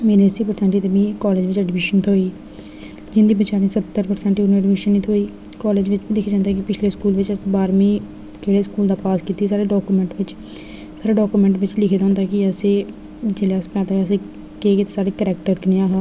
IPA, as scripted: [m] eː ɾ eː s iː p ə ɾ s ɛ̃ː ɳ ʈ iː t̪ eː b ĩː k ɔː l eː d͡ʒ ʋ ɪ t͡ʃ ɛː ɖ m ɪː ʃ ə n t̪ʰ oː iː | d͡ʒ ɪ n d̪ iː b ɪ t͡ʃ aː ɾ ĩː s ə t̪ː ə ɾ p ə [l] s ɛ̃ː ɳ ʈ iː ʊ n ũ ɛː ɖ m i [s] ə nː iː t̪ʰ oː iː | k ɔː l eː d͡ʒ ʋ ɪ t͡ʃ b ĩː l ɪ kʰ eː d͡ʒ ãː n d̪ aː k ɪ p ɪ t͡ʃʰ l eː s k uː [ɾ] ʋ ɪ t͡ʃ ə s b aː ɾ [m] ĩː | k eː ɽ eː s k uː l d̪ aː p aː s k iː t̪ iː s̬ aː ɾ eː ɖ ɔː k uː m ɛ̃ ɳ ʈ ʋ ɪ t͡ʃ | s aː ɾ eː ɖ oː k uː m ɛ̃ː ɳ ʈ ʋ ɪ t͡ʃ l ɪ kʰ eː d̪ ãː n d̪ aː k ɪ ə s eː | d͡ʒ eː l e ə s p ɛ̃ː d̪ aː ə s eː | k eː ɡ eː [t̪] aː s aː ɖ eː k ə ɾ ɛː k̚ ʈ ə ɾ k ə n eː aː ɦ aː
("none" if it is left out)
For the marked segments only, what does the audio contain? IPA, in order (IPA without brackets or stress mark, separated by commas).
m, ɾ, ʃ, l, m, t̪